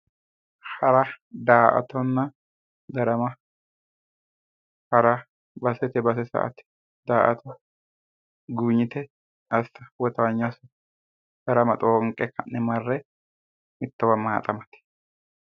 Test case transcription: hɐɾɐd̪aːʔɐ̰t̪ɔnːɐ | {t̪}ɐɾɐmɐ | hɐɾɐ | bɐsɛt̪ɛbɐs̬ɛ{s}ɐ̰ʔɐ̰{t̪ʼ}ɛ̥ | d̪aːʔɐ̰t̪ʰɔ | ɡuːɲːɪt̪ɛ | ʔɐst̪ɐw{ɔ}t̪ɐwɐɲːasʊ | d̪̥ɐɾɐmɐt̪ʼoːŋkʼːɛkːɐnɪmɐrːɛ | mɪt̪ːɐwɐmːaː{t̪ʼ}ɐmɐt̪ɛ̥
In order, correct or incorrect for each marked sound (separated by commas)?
incorrect, correct, incorrect, correct, correct